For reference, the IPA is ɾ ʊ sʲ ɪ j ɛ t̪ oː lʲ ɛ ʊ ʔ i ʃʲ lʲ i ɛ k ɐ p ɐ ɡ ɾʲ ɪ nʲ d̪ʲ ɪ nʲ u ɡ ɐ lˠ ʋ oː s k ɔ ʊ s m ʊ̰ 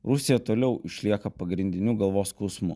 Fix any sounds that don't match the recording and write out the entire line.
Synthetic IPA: ɾ ʊ sʲ ɪ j ɛ t̪ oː lʲ ɛ ʊ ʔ ɪ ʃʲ lʲ i ɛ k ɐ p ɐ ɡ ɾʲ ɪ nʲ d̪ʲ ɪ nʲ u ɡ ɐ lˠ ʋ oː s k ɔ ʊ s m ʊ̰